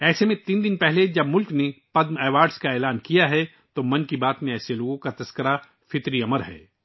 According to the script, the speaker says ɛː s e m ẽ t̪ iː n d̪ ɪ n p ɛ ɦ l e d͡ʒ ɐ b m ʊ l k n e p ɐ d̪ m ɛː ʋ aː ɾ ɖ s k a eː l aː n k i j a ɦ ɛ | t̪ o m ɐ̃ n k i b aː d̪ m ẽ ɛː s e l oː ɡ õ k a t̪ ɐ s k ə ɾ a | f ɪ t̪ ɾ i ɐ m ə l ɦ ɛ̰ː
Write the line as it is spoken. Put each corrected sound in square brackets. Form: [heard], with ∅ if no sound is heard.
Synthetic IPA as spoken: ɛː s e m ẽ t̪ iː n d̪ ɪ n p ɛ ɦ l e d͡ʒ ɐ b m ʊ l k n e p ɐ d̪ m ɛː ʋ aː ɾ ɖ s k a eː l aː n k i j a ɦ ɛ | t̪ o m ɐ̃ n k i b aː [t̪] m ẽ ɛː s e l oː ɡ õ k a t̪ ɐ s k ə ɾ a | f ɪ t̪ ɾ i ɐ m ə [ɾ] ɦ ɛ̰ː